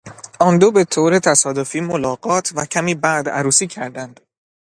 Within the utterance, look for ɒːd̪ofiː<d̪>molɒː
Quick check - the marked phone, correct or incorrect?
incorrect: none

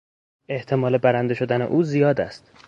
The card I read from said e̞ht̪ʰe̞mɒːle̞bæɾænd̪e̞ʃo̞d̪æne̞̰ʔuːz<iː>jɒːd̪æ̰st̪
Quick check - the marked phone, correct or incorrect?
incorrect: i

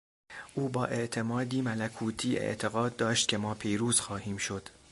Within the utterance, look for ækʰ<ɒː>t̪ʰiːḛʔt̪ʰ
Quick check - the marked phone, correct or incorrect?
incorrect: uː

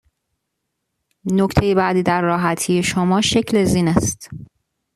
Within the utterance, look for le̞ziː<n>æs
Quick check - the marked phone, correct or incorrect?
correct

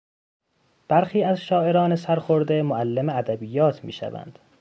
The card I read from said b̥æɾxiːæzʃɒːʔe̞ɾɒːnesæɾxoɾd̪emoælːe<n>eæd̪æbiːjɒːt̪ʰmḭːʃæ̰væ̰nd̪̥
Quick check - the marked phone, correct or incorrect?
incorrect: m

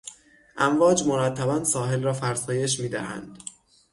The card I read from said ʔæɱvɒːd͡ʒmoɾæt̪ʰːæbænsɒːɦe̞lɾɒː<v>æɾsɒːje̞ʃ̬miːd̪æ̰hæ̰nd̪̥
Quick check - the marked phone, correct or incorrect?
incorrect: f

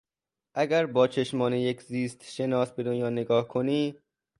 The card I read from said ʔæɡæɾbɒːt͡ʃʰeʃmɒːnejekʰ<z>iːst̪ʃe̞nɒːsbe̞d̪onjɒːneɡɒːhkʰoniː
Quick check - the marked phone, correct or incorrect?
correct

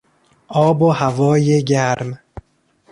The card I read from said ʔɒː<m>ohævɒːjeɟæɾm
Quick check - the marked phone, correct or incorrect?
incorrect: b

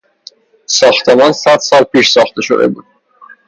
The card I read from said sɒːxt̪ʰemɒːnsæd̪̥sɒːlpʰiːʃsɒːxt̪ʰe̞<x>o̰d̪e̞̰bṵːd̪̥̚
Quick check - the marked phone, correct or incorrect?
incorrect: ʃ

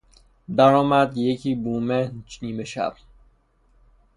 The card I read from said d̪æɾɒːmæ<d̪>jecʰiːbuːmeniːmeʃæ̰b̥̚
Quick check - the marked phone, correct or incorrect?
correct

